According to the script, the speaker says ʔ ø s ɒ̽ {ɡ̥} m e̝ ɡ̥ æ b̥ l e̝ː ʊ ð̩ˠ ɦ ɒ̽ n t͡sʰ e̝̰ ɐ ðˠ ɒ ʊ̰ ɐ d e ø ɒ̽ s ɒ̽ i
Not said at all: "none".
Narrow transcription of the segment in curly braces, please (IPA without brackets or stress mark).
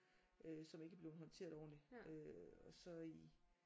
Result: none